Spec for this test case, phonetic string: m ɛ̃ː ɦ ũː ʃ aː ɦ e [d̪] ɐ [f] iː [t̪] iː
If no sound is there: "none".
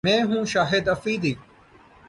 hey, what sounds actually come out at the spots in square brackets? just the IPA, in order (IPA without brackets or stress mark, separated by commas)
d̪, f, d̪